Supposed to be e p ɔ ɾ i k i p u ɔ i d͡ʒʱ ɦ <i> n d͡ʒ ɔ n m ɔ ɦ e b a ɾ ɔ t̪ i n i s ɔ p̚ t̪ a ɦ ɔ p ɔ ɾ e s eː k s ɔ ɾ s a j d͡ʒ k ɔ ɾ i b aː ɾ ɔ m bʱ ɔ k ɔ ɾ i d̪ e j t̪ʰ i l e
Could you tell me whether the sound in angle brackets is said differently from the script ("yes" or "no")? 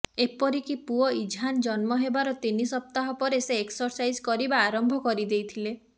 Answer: yes